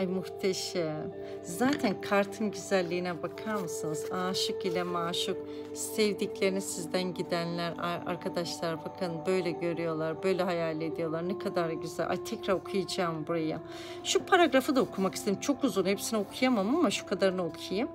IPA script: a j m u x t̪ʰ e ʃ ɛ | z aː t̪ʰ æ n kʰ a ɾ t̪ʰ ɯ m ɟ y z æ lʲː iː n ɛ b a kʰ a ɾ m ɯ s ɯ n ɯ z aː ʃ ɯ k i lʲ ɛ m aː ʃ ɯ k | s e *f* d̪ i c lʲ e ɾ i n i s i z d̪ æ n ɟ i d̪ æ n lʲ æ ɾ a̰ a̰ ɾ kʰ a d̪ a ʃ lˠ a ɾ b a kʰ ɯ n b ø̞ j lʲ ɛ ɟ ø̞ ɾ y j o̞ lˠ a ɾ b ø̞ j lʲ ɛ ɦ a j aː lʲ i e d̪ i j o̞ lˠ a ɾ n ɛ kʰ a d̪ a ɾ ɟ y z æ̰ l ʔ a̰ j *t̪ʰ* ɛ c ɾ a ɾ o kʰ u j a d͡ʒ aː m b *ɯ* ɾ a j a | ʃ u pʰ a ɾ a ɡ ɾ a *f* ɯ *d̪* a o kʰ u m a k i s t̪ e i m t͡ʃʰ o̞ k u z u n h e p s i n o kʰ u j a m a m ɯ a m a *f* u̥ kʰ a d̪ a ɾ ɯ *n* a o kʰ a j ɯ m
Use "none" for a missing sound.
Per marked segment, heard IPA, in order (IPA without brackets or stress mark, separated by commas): v, t̪ʰ, u, f, d̪, ʃ, n